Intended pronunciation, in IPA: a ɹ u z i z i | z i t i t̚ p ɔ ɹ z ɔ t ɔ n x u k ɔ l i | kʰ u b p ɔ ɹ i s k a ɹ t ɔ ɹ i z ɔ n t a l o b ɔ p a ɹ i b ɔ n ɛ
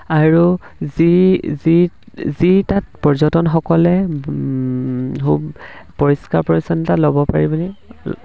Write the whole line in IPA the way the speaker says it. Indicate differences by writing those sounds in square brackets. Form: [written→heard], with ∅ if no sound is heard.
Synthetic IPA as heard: a ɹ u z i z i | z i t [i→a] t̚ p ɔ ɹ z ɔ t ɔ n x [u→ɔ] k ɔ l [i→ɛ] | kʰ u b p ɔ ɹ i s k a ɹ [t→p] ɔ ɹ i [z→s] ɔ n t a l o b ɔ p a ɹ i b ɔ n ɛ